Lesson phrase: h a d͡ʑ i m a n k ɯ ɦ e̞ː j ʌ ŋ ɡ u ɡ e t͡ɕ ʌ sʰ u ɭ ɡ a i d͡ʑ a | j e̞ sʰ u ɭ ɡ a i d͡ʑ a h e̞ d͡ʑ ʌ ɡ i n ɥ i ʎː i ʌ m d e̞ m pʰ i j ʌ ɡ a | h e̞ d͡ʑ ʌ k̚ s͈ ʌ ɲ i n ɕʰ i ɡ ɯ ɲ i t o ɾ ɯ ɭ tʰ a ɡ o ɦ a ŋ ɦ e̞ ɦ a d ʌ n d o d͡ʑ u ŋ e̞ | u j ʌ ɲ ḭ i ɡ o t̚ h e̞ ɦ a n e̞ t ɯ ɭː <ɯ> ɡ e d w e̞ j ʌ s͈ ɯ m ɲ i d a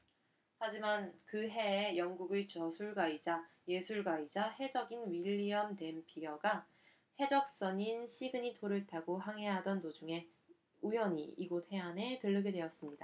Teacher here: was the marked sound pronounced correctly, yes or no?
yes